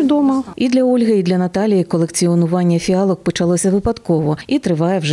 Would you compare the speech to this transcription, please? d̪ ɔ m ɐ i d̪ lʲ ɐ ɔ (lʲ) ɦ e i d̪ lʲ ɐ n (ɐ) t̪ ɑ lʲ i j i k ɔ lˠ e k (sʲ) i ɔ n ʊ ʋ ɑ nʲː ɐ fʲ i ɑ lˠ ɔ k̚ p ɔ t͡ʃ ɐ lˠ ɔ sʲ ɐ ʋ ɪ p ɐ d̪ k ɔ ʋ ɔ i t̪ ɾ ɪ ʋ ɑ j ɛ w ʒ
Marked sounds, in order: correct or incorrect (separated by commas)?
correct, correct, incorrect